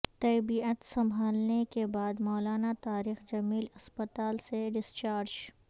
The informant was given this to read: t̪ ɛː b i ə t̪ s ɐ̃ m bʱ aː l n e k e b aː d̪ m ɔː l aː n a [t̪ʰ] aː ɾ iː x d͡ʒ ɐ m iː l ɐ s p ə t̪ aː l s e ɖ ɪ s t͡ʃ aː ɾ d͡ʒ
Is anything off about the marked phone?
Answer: yes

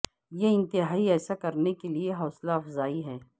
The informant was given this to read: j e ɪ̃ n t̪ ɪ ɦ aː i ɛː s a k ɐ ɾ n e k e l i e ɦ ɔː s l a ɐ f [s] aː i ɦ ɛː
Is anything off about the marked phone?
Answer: yes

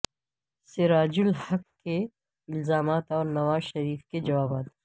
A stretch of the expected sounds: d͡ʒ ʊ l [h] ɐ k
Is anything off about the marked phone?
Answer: no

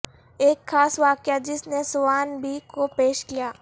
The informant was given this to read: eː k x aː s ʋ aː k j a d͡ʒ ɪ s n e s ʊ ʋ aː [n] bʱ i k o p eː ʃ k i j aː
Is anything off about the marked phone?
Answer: no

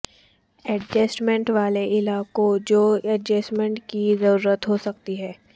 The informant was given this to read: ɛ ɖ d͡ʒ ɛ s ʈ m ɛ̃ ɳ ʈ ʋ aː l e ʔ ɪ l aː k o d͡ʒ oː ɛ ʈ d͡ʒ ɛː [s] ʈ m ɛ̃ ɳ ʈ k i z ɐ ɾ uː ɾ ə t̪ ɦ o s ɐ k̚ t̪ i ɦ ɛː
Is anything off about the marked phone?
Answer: no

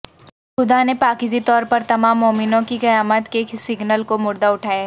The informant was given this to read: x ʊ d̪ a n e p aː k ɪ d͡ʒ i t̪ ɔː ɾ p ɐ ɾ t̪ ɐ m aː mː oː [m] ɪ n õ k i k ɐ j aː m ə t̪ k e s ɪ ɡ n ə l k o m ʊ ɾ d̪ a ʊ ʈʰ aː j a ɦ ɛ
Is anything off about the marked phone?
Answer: no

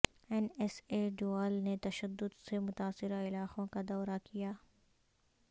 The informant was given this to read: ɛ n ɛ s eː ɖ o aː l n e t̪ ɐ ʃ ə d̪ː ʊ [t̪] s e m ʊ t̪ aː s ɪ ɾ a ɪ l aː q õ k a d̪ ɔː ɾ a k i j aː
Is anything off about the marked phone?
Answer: yes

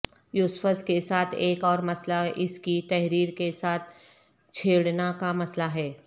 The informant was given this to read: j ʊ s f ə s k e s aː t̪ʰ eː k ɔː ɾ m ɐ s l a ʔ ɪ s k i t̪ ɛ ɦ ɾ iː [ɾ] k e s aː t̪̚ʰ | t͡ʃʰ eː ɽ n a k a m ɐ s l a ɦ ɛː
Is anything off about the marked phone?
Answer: no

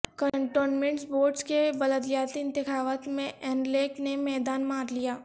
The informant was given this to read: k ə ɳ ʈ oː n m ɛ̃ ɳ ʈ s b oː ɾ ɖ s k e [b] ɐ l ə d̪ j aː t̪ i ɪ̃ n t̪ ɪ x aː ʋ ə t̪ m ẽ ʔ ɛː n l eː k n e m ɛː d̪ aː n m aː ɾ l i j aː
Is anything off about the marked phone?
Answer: no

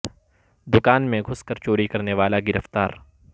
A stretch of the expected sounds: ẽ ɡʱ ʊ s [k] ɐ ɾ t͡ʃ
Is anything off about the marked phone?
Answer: no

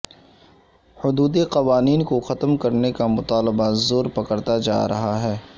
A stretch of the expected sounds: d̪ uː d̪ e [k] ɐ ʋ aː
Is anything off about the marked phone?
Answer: yes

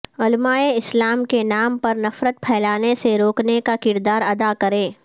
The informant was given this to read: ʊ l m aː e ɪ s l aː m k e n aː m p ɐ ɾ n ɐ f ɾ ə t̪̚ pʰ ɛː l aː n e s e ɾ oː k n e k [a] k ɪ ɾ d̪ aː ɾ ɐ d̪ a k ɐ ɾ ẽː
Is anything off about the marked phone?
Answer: no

